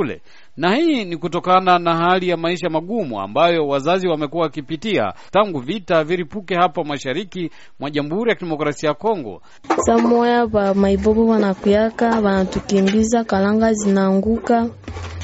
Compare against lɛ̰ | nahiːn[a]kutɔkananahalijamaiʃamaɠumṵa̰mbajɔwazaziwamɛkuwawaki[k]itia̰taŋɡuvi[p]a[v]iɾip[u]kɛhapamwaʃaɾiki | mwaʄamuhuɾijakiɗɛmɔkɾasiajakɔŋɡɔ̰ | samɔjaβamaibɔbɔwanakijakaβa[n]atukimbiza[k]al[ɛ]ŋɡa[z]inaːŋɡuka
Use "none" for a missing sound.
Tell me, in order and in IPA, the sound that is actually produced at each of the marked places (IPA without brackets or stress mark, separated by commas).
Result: i, p, t, v, u, n, k, a, z